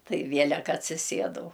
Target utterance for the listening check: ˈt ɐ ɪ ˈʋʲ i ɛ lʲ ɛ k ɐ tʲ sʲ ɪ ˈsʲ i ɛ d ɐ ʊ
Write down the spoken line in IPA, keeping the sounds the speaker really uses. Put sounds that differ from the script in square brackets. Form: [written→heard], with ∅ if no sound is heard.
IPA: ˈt ɐ ɪ ˈʋʲ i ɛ lʲ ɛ k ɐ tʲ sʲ ɪ ˈsʲ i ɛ d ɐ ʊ